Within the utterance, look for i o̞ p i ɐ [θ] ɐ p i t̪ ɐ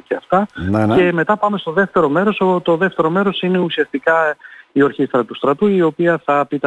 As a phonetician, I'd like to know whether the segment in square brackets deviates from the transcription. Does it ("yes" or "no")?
no